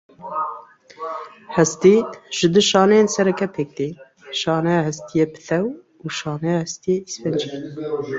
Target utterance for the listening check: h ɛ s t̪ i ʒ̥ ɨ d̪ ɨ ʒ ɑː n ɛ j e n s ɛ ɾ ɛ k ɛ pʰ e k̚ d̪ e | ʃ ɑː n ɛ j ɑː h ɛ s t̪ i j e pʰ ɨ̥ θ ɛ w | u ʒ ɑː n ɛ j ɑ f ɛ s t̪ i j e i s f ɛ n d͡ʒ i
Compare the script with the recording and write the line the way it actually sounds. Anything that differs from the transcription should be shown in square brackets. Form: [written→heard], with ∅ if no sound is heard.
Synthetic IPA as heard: h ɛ s t̪ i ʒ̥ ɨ d̪ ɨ [ʒ→ʃ] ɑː n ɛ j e n s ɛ ɾ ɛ k ɛ pʰ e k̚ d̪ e | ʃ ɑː n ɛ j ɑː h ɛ s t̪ i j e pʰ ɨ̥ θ ɛ w | u [ʒ→ʃ] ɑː n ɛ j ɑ [f→h] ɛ s t̪ i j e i s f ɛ n d͡ʒ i